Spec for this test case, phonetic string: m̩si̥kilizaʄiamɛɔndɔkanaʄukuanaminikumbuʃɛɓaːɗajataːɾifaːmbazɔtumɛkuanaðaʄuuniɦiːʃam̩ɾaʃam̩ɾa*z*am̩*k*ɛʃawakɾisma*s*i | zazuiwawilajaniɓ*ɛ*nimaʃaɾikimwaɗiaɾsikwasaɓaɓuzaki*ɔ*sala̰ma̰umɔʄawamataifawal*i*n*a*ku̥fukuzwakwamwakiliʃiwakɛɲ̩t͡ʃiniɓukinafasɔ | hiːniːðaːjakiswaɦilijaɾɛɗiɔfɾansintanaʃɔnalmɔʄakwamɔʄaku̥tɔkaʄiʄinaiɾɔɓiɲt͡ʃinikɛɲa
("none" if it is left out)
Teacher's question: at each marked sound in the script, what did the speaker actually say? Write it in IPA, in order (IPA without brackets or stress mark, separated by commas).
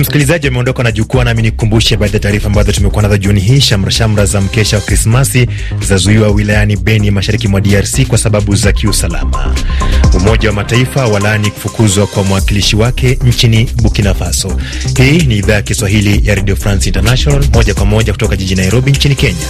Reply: z, k, s, ɛ, u, a, i